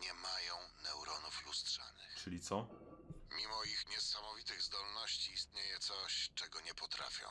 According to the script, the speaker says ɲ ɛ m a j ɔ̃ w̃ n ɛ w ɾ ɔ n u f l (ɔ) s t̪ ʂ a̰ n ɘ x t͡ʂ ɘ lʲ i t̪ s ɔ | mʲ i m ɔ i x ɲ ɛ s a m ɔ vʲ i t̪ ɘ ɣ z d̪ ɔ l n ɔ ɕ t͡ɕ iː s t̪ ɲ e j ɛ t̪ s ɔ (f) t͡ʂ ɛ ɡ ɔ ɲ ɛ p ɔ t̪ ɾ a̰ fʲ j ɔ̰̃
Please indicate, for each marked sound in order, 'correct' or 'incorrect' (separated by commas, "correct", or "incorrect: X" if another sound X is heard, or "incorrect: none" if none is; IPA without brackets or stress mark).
incorrect: u, incorrect: ɕ